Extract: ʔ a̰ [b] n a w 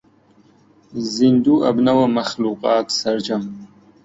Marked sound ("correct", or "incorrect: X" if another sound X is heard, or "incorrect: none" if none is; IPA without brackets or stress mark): correct